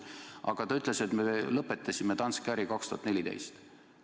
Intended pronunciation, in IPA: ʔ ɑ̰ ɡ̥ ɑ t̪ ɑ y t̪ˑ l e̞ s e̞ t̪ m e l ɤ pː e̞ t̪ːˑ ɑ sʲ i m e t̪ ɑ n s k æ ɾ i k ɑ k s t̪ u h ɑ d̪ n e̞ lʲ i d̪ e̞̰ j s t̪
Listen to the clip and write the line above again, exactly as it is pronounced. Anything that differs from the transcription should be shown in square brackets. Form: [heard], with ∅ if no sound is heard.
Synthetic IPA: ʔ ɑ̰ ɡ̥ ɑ t̪ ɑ y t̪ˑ l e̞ s e̞ t̪ m e l ɤ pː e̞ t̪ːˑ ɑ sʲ i m e t̪ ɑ n s k æ ɾ i k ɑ k s t̪ u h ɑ [t̪] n e̞ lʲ i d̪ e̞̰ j s t̪